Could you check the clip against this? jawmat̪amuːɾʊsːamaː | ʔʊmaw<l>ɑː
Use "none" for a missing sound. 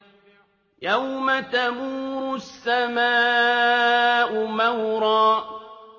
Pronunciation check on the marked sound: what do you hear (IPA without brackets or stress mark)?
ɾ